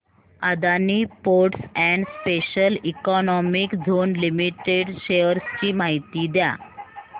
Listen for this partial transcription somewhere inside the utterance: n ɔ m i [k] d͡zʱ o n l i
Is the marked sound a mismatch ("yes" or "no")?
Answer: no